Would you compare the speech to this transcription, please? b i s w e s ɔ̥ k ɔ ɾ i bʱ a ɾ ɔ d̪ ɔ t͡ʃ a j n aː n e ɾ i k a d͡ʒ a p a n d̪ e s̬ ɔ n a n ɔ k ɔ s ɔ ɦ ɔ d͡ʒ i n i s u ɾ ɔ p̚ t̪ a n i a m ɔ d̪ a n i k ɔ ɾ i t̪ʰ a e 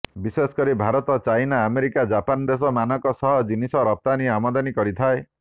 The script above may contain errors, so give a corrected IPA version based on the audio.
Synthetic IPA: b i s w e s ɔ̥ k ɔ ɾ i bʱ a ɾ ɔ t̪ ɔ t͡ʃ a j n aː m e ɾ i k a d͡ʒ a p a n d̪ e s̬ ɔ m a n ɔ k ɔ s ɔ ɦ ɔ d͡ʒ i n i s ɔ ɾ ɔ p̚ t̪ a n i a m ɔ d̪ a n i k ɔ ɾ i t̪ʰ a e